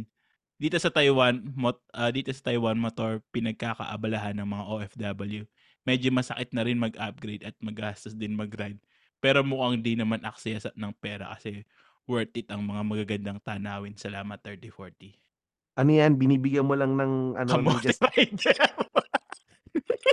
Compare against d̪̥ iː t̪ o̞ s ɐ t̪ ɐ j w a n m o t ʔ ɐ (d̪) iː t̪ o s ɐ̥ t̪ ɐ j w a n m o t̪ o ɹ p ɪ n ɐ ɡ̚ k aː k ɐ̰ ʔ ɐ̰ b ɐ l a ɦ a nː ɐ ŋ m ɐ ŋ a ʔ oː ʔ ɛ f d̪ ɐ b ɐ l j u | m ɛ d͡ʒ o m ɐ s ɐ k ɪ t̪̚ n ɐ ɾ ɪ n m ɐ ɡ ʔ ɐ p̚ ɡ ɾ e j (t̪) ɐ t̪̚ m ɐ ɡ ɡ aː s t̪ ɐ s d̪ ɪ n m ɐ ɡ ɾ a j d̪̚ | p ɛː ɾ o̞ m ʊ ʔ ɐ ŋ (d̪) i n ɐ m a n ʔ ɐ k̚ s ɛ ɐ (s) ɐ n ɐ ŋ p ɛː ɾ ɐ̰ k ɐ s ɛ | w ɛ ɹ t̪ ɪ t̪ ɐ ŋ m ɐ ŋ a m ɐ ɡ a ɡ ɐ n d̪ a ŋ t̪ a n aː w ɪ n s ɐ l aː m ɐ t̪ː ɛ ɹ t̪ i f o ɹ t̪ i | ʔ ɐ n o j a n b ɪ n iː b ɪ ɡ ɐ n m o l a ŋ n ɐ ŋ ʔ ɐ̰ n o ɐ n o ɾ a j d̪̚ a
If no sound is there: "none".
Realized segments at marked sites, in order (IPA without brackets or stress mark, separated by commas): d̪, d̪, d̪, s